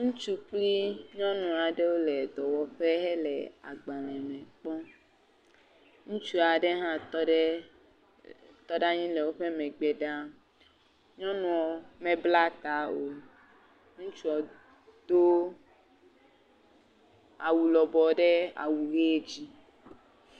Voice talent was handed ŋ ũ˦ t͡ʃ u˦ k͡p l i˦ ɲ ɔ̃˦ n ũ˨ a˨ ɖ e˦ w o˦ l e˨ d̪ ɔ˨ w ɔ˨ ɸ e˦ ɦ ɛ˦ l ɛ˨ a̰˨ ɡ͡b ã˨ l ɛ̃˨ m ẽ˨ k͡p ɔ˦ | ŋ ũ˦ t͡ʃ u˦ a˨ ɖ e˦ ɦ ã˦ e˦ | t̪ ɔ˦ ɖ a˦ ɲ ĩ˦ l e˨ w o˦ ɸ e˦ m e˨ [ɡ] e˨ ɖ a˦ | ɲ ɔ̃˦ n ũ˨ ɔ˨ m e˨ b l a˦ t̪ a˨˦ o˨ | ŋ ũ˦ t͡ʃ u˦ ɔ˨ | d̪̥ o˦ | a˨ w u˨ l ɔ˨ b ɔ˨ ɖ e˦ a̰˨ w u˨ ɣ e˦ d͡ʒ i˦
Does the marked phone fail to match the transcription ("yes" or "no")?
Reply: yes